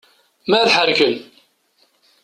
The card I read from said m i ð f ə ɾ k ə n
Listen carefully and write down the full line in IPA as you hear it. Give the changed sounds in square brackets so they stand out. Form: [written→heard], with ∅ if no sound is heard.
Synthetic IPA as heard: m [i→æ] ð [f→ħ] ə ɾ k ə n